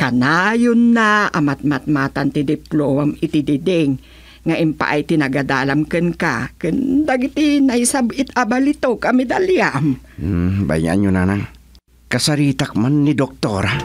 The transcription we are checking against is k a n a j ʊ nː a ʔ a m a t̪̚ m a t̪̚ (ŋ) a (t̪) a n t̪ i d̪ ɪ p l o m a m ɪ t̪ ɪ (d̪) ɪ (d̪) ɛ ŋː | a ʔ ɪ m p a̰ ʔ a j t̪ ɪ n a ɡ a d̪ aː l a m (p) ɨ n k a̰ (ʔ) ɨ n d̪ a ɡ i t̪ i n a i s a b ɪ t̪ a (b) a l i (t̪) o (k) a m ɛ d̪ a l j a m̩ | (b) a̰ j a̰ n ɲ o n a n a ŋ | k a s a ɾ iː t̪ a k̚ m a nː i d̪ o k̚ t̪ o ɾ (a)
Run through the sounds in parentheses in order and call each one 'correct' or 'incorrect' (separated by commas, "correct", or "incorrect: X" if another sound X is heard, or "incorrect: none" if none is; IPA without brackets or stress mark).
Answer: incorrect: m, correct, correct, correct, incorrect: k, incorrect: k, correct, correct, correct, correct, correct